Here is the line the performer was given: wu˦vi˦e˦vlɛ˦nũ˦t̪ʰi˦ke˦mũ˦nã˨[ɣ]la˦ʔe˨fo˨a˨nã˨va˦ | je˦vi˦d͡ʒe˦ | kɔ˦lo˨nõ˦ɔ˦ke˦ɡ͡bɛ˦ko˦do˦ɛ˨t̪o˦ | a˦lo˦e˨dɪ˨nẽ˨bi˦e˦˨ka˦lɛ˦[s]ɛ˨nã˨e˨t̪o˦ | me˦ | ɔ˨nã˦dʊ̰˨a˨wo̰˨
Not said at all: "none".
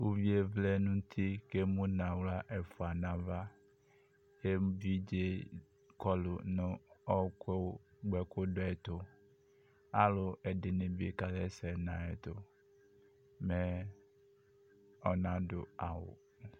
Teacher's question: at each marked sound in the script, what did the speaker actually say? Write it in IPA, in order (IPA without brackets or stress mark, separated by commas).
w, s